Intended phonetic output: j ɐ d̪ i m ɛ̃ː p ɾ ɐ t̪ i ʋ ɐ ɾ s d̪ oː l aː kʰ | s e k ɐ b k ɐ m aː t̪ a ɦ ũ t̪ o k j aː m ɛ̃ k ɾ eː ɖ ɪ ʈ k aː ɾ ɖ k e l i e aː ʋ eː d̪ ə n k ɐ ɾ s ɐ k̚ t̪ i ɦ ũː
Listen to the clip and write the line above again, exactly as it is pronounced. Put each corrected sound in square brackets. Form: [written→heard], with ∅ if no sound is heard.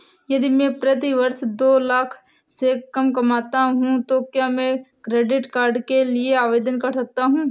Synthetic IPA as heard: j ɐ d̪ i m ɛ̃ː p ɾ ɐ t̪ i ʋ ɐ ɾ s d̪ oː l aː kʰ | s e k ɐ [b→m] k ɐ m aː t̪ a ɦ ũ t̪ o k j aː m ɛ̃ k ɾ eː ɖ ɪ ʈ k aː ɾ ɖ k e l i e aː ʋ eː d̪ ə n k ɐ ɾ s ɐ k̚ t̪ [i→a] ɦ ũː